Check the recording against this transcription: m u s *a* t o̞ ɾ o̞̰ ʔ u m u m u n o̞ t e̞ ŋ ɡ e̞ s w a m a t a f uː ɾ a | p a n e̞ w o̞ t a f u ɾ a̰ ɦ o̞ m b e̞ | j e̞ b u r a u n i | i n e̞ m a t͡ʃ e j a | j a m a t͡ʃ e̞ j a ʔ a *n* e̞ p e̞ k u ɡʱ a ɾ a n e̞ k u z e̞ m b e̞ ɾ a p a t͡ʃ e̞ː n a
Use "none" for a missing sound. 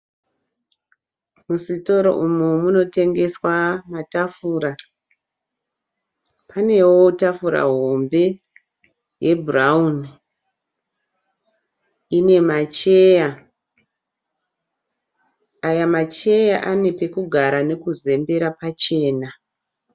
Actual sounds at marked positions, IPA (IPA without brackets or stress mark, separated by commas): i, n